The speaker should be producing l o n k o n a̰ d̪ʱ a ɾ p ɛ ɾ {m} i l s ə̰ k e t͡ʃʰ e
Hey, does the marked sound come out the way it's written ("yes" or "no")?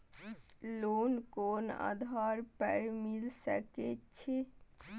yes